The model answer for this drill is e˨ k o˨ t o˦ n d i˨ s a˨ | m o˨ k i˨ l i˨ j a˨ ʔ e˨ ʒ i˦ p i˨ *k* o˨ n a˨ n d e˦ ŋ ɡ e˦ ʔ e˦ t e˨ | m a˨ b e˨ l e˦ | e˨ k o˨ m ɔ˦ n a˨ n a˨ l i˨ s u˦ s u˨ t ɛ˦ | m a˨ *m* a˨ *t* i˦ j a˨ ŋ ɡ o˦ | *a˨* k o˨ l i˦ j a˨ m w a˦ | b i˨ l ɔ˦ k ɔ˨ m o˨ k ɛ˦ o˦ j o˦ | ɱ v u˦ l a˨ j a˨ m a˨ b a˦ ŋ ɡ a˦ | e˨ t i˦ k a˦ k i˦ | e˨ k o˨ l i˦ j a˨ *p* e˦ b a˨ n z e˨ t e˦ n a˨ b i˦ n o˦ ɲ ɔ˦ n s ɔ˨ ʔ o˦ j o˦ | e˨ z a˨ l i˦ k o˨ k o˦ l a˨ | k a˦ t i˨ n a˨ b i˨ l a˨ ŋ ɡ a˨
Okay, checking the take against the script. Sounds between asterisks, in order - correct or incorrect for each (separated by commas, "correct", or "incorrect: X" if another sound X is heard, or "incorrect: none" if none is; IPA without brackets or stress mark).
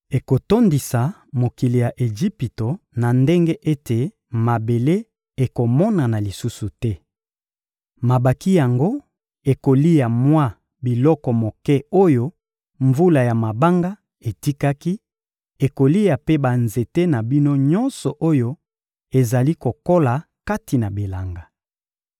incorrect: t, incorrect: b, incorrect: k, incorrect: e˨, correct